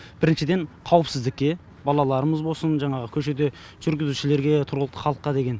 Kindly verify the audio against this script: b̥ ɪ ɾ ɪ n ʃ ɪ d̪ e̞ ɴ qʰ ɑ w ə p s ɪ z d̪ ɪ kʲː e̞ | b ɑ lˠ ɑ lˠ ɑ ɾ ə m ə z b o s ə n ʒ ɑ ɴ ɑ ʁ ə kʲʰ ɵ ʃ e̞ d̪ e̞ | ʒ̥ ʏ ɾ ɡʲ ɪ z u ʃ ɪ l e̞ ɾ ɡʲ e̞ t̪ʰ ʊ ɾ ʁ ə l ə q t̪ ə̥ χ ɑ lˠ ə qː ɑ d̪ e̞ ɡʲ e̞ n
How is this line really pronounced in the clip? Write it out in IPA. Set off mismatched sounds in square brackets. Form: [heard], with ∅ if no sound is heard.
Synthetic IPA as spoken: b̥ ɪ ɾ ɪ n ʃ ɪ d̪ e̞ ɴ qʰ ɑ w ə p s ɪ z d̪ ɪ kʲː e̞ | b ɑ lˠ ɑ lˠ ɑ ɾ ə m ə z b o s ə n ʒ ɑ ɴ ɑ ʁ ə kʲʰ ɵ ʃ e̞ d̪ e̞ | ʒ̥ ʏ ɾ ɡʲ ɪ z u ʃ ɪ l e̞ ɾ ɡʲ e̞ t̪ʰ ʊ ɾ ʁ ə l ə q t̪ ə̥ χ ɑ lˠ ə qː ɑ d̪ e̞ ɡʲ e̞ n